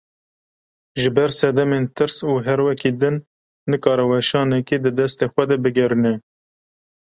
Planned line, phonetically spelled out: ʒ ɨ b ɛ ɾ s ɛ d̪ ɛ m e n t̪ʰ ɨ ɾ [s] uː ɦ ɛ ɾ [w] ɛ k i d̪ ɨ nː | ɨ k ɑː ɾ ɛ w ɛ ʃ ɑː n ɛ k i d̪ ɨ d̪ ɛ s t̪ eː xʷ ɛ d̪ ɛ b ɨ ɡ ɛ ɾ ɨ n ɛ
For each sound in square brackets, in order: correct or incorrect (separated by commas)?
correct, correct